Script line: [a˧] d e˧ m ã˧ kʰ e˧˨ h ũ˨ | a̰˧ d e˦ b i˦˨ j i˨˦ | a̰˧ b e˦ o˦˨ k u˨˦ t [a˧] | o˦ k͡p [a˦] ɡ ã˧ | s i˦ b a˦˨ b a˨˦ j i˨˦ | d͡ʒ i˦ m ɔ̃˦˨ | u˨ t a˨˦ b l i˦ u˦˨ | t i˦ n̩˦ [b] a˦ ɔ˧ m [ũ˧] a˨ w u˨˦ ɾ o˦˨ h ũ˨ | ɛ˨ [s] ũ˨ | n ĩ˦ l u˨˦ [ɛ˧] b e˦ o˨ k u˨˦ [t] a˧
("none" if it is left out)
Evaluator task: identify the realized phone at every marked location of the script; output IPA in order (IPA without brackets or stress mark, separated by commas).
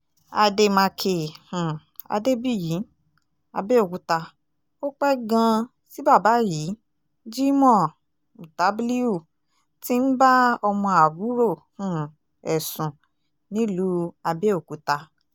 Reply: a˧, a˧, ɛ˦, b, ɔ̃˧, s, a˧, t